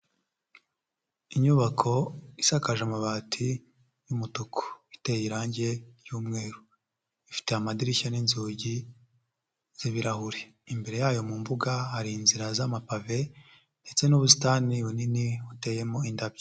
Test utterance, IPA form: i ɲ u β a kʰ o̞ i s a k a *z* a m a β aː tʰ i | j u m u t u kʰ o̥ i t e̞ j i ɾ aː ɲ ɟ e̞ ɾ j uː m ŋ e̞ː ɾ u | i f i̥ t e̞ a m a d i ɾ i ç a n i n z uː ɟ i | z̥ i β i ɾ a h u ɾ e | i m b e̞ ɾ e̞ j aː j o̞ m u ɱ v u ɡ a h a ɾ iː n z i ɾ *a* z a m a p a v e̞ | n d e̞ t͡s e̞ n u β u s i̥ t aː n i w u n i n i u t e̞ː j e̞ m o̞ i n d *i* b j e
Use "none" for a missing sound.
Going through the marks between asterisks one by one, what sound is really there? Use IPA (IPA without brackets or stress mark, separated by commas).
ʒ, a, a